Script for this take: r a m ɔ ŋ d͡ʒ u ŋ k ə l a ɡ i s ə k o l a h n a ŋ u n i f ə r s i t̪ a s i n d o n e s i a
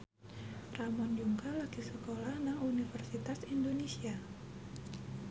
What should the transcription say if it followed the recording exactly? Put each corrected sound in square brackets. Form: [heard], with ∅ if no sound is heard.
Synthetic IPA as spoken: r a m ɔ [n] d͡ʒ u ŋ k [a] l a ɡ i s ə k o l a h n a ŋ u n i f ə r s i t̪ a s i n d o n e s i a